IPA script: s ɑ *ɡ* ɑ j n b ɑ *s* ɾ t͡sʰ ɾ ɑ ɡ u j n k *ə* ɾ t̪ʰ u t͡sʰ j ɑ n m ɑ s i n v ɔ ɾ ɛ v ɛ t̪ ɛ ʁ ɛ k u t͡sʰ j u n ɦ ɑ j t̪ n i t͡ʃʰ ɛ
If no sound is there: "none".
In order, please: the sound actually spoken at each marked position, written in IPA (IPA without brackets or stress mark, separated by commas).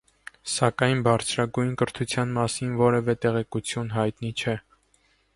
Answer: k, none, ə